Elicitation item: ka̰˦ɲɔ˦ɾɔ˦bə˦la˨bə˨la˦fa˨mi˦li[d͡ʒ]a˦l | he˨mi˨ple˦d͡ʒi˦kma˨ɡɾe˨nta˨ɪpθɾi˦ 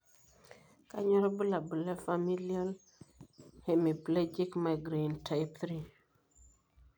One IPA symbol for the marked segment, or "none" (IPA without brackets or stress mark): none